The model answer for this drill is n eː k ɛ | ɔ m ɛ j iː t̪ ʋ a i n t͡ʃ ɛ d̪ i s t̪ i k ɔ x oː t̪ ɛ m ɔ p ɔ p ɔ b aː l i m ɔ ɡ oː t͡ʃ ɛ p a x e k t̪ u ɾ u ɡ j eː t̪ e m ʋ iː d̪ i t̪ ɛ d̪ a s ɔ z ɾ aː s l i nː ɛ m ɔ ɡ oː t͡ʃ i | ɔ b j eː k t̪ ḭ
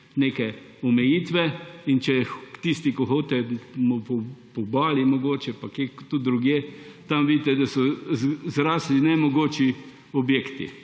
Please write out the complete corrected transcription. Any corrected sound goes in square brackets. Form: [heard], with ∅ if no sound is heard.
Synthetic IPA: n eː k ɛ | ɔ m ɛ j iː t̪ ʋ [ɛ] i n t͡ʃ ɛ [t̪] i s t̪ i k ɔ x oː t̪ ɛ m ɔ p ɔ p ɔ b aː l i m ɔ ɡ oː t͡ʃ ɛ p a [k] e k t̪ u ɾ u ɡ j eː t̪ [a] m ʋ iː d̪ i t̪ ɛ d̪ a s ɔ z ɾ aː s l i [n] ɛ m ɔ ɡ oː t͡ʃ i | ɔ b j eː k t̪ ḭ